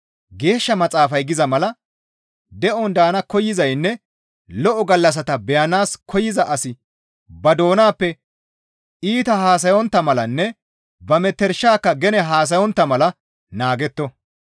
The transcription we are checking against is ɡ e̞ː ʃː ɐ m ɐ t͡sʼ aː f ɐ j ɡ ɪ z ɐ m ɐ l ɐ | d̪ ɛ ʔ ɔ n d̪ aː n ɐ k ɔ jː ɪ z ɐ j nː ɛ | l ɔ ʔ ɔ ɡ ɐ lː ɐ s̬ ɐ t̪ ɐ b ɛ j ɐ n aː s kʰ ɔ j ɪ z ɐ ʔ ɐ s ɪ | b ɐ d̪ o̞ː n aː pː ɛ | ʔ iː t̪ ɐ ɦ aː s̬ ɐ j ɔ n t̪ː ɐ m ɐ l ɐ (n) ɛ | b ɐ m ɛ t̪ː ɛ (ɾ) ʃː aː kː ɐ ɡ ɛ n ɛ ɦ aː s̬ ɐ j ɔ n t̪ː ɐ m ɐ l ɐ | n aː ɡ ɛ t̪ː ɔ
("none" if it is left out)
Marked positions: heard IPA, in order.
nː, ɾ

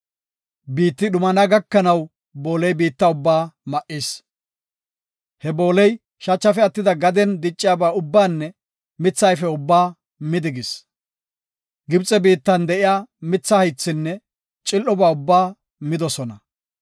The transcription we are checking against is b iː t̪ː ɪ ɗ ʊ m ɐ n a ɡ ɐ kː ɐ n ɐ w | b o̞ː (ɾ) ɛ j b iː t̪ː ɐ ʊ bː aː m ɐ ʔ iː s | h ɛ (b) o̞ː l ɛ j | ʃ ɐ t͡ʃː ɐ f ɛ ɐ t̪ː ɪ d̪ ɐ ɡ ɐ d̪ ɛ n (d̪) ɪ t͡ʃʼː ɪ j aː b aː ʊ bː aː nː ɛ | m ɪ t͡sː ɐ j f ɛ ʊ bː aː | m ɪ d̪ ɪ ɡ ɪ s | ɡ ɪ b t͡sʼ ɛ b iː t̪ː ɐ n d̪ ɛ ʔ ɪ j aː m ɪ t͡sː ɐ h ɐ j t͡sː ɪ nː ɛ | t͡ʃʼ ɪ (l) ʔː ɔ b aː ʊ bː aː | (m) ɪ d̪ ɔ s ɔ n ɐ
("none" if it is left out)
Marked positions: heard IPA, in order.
l, b, d̪, l, m

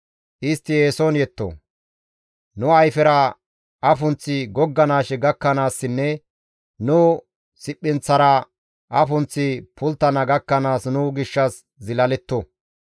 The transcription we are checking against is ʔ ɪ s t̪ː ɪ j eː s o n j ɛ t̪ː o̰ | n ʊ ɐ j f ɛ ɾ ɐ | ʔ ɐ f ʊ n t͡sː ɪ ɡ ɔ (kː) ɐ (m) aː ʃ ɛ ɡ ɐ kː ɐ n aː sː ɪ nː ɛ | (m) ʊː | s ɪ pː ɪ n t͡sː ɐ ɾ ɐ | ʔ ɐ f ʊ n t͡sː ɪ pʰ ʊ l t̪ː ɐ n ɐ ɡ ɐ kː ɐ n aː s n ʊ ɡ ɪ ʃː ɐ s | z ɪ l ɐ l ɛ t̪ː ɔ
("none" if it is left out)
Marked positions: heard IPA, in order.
ɡː, n, n

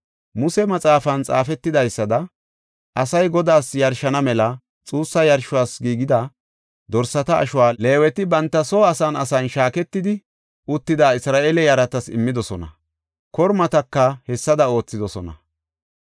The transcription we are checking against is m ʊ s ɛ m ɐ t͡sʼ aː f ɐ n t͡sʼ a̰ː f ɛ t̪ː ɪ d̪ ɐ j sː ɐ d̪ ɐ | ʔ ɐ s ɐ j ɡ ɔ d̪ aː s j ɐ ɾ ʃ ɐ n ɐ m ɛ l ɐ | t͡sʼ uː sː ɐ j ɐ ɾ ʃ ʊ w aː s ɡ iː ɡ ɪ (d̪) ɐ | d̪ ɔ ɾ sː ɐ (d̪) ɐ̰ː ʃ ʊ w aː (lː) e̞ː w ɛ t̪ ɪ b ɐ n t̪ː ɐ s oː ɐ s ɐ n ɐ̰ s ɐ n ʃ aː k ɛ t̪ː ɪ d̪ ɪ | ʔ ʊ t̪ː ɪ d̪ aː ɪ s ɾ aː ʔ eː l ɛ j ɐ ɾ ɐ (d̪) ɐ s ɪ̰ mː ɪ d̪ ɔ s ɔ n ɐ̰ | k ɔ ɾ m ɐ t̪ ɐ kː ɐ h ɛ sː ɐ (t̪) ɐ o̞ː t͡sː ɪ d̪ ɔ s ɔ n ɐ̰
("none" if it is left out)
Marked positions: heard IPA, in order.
d̪, t̪, l, t̪, d̪

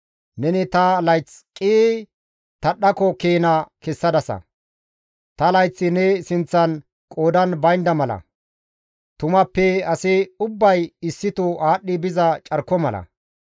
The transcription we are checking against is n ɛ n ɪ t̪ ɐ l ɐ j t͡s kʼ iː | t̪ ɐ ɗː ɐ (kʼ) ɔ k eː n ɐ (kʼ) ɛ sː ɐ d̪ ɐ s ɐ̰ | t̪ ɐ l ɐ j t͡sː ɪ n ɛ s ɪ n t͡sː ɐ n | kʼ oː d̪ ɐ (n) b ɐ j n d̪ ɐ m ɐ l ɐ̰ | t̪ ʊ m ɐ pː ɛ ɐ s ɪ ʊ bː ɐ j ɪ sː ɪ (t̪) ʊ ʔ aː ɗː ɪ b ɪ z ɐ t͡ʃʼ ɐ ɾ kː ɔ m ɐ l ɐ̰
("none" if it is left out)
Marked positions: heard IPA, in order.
k, k, n, t̪

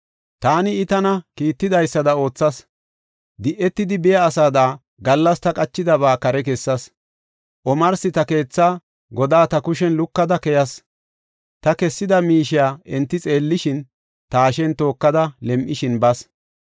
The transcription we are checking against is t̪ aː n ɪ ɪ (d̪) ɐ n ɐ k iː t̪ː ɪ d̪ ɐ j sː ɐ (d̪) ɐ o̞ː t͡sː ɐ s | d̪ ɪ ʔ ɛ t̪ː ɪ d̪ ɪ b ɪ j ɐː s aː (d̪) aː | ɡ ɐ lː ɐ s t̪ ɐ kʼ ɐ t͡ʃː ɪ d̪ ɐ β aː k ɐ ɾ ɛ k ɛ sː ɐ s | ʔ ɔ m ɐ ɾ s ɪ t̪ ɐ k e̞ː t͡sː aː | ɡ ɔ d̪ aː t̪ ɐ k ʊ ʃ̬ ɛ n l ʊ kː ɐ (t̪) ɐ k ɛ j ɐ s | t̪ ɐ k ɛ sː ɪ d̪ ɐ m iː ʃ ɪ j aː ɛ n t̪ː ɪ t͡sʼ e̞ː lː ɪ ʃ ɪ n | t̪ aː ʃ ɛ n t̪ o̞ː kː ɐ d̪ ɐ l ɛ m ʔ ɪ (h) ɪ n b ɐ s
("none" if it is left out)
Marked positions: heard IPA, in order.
t̪, d̪, d̪, d̪, ʃ

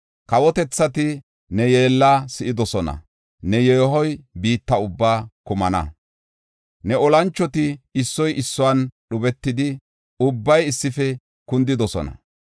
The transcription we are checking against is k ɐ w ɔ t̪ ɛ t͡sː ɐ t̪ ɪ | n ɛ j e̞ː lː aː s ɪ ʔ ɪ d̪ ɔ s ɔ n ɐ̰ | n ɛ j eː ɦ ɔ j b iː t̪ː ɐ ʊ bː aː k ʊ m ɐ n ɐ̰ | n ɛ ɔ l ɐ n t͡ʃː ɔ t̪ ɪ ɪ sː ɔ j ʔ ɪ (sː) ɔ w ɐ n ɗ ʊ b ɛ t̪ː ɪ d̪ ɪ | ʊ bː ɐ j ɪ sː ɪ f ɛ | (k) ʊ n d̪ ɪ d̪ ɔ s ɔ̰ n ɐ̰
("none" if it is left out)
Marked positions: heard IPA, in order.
sː, k

